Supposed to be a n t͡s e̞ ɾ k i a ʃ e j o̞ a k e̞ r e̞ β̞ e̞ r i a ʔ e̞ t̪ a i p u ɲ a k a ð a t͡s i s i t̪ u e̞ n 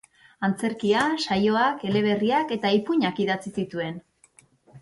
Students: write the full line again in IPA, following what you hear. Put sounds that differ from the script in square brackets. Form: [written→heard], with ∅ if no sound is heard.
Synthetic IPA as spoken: a n t͡s e̞ ɾ k i a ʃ [e→a] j o̞ a k e̞ [r→l] e̞ β̞ e̞ r i a [ʔ→k] e̞ t̪ a i p u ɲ a k [a→i] ð a t͡s i s i t̪ u e̞ n